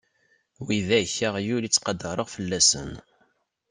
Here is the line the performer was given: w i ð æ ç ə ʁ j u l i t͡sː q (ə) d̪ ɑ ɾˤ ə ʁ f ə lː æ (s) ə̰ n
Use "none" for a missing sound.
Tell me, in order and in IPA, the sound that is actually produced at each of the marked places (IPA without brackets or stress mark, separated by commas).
ɑ, s